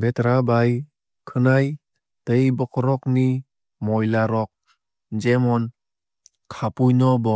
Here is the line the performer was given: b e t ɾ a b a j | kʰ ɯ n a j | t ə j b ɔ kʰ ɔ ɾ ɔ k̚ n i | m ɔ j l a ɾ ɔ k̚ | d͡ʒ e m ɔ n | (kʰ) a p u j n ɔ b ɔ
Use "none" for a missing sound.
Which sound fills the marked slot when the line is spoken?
kʰ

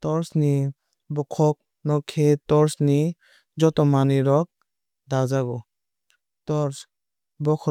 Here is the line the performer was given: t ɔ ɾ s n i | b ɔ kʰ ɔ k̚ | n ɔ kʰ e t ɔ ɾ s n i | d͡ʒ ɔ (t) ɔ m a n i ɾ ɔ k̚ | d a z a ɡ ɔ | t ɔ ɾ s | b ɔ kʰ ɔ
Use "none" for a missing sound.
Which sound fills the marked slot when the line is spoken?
t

